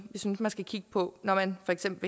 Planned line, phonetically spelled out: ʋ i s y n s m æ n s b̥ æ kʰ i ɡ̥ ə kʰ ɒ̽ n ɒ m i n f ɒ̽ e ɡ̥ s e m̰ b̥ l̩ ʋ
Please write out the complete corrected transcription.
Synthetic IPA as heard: ʋ i s y n s m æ n s ɡ̥ æ kʰ i ɡ̥ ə pʰ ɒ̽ n ɒ m æ n f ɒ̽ e ɡ̥ s e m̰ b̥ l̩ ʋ